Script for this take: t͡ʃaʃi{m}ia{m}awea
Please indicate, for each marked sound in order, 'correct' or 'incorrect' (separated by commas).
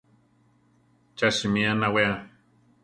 correct, incorrect